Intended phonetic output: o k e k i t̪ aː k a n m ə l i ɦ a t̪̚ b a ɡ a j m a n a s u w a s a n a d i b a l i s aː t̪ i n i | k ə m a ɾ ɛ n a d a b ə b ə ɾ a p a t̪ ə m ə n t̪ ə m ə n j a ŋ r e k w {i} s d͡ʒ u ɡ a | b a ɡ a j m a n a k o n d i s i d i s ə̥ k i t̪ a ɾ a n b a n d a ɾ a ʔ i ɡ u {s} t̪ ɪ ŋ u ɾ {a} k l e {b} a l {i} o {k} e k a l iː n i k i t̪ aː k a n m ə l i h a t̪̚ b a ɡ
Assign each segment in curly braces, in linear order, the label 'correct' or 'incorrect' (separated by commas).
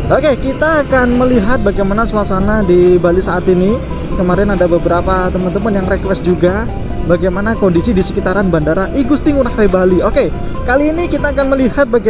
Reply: incorrect, correct, correct, correct, correct, correct